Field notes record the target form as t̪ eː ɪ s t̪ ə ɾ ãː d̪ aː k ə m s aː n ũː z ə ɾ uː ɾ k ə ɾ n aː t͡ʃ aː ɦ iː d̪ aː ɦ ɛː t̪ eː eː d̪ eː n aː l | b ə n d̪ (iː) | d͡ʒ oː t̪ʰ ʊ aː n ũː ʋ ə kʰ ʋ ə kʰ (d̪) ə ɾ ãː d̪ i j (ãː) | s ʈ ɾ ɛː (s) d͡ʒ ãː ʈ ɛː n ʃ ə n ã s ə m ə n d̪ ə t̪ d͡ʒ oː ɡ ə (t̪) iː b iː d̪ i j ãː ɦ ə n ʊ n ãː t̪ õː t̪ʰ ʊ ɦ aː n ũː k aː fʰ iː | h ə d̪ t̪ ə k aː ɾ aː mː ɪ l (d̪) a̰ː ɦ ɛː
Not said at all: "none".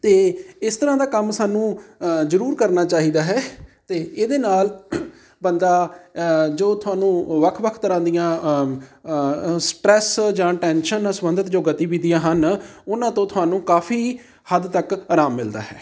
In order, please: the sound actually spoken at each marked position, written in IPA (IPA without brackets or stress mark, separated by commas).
aː, t̪, ãː, s, t̪, d̪